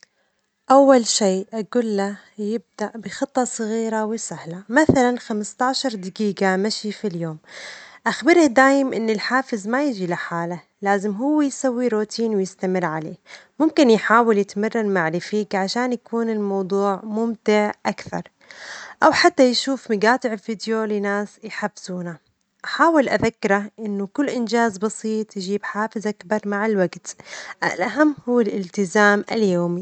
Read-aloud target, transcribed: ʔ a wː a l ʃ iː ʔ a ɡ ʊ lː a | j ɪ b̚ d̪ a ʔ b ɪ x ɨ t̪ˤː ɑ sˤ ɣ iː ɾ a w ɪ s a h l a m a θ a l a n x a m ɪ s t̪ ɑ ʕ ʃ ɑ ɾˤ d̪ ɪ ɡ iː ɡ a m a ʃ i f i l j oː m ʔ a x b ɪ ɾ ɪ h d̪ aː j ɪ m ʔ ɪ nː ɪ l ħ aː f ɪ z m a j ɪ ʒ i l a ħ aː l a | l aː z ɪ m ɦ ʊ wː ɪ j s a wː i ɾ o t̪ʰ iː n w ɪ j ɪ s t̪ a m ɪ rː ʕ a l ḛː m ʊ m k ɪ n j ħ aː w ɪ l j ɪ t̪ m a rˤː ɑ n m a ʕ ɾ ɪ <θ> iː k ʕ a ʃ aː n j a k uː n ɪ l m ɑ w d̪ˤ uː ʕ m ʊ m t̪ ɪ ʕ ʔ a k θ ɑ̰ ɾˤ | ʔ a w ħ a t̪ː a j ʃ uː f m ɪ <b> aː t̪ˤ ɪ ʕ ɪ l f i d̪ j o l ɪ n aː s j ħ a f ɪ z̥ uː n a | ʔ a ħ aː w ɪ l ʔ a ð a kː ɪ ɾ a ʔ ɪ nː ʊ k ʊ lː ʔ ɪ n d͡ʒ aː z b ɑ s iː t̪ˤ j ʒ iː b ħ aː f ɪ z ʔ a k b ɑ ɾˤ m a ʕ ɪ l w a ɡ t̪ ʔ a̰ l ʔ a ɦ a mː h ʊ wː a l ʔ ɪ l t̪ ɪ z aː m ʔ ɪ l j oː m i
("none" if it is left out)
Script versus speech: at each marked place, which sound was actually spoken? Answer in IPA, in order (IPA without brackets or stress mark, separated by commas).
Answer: f, ɡ